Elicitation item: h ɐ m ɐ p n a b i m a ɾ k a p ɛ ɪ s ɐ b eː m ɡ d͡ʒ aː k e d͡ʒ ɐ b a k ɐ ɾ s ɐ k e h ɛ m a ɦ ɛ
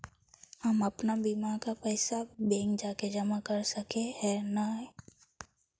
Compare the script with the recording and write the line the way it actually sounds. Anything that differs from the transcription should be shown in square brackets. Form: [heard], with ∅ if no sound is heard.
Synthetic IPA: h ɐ m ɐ p n a b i m a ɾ k a p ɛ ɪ s [a] b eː [ŋ] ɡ d͡ʒ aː k e d͡ʒ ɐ [m] a k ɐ ɾ s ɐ k e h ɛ [n] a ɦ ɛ